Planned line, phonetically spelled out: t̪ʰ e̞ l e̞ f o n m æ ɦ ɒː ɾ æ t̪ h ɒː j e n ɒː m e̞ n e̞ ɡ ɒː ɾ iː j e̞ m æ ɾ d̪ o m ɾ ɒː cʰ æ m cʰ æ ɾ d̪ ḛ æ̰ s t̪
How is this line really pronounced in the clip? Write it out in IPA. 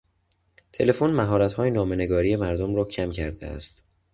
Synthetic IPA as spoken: t̪ʰ e̞ l e̞ f o n m æ ɦ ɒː ɾ æ t̪ h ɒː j e n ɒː m e̞ n e̞ ɡ ɒː ɾ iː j e̞ m æ ɾ d̪ o m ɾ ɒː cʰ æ m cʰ æ ɾ d̪ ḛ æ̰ s t̪

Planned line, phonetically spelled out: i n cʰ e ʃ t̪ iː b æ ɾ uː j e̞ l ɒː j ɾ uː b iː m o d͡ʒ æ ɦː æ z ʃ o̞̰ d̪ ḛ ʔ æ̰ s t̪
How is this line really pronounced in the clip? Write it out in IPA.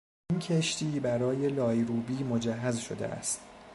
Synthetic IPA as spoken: i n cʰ e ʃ t̪ iː b æ ɾ ɒː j e̞ l ɒː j ɾ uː b iː m o d͡ʒ æ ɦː æ z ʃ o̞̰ d̪ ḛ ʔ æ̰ s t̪

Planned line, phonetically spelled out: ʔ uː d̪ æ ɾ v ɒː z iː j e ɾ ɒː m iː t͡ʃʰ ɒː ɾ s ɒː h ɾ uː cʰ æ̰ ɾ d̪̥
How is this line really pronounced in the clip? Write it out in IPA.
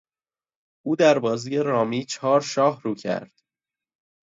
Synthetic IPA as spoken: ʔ uː d̪ æ ɾ b ɒː z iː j e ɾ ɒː m iː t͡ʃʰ ɒː ɾ ʃ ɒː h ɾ uː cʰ æ̰ ɾ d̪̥

